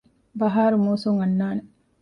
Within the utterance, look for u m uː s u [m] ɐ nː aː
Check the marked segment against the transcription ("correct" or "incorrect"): incorrect